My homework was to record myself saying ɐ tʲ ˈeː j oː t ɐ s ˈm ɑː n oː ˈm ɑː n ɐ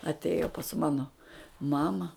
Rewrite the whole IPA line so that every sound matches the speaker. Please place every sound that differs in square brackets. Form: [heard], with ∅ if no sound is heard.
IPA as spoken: ɐ tʲ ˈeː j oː [p] ɐ s ˈm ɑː n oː ˈm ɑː [m] ɐ